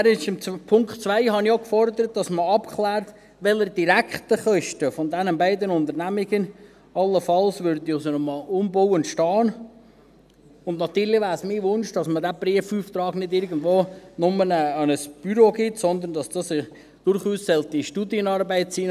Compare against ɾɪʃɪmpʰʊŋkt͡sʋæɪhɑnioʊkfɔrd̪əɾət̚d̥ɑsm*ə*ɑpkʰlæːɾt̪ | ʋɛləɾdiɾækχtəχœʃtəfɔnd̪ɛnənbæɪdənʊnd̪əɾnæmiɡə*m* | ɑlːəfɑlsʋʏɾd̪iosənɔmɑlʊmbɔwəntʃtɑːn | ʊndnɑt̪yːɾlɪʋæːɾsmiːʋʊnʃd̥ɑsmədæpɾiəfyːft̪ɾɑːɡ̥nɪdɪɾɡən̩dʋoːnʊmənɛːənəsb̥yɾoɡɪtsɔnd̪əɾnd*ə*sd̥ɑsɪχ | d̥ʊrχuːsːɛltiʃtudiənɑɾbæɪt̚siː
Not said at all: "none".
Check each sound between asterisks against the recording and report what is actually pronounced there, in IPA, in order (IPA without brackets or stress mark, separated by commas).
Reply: ə, n, ɑ